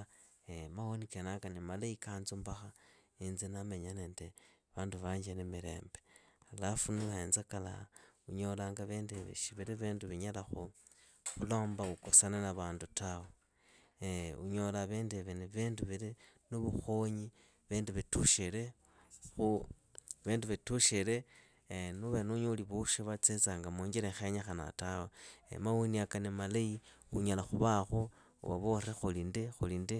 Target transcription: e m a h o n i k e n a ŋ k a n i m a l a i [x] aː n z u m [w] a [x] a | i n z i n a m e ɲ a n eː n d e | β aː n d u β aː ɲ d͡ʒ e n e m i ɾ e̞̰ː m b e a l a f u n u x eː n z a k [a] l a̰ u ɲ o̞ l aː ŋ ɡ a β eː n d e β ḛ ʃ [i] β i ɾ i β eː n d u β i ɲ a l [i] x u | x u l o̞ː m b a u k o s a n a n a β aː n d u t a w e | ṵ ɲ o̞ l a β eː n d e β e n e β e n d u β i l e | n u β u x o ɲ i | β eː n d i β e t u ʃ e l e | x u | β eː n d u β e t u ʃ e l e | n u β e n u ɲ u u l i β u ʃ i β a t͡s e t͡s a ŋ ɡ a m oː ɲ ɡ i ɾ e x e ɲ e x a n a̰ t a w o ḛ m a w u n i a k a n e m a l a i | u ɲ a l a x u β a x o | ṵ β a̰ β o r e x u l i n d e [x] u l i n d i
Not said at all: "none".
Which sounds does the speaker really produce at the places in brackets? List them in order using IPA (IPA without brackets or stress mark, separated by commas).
k, b, x, a, i, a, x